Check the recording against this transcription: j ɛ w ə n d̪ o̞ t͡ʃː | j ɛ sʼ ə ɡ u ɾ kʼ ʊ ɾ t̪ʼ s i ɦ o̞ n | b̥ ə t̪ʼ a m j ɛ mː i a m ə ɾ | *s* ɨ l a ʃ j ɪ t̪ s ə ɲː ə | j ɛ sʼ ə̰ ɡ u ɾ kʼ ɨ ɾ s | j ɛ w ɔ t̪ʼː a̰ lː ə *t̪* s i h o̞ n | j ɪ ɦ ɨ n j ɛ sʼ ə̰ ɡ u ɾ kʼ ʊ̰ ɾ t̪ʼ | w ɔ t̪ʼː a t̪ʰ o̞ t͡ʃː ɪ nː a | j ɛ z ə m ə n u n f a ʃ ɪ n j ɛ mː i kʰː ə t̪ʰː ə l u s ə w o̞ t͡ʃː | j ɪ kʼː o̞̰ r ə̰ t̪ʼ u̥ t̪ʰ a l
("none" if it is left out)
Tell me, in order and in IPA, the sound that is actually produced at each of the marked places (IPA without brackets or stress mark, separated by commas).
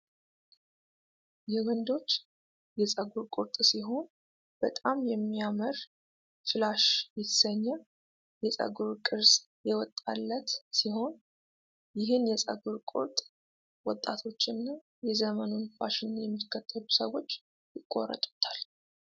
f, t̪